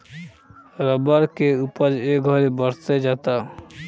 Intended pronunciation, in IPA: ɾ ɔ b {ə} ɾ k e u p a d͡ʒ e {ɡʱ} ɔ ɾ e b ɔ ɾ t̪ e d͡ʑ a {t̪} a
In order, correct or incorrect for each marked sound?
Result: incorrect, correct, correct

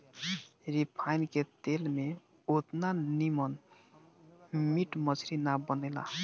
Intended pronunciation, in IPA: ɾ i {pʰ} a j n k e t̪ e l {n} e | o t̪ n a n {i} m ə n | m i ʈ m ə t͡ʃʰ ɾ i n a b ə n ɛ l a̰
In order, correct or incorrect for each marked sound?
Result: correct, incorrect, correct

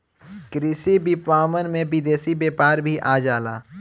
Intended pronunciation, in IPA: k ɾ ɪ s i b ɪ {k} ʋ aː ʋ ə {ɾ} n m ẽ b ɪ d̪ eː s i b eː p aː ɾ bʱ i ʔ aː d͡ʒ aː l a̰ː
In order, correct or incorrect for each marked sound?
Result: incorrect, incorrect

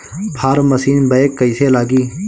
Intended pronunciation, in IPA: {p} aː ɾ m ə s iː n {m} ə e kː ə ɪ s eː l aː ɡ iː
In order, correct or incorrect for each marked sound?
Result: incorrect, incorrect

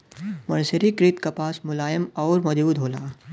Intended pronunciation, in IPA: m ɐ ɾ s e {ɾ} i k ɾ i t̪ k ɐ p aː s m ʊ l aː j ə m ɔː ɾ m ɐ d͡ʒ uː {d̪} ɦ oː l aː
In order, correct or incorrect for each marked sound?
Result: correct, correct

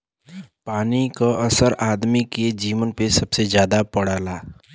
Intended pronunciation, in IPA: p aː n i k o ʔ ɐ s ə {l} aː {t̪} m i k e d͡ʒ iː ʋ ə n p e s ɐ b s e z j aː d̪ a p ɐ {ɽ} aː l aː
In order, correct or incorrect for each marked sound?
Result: incorrect, incorrect, correct

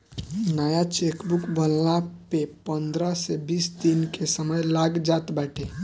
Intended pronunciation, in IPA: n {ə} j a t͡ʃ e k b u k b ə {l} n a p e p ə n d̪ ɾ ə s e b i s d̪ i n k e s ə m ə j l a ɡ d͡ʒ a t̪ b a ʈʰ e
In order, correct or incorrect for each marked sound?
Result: incorrect, correct

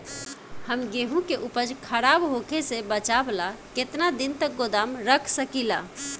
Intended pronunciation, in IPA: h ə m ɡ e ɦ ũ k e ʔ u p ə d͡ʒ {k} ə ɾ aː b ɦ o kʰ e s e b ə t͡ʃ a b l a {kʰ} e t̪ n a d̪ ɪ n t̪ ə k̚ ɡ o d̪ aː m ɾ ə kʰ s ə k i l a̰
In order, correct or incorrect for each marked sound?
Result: incorrect, incorrect

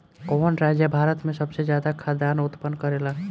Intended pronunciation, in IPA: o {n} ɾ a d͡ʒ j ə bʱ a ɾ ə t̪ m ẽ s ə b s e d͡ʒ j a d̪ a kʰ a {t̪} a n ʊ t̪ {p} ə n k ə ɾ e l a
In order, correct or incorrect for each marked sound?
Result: correct, incorrect, correct

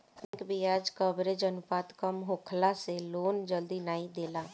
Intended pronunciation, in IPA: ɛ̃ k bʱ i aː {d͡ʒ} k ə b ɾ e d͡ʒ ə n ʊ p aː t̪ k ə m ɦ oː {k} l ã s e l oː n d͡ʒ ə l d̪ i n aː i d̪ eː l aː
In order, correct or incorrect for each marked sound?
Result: correct, incorrect

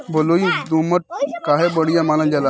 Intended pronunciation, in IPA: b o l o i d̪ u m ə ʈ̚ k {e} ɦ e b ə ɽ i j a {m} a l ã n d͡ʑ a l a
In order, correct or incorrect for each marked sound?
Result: incorrect, correct

